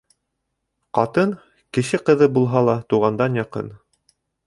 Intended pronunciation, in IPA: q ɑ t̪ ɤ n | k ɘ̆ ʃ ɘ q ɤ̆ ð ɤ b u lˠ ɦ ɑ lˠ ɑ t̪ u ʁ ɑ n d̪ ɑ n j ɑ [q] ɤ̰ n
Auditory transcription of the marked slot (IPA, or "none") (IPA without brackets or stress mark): q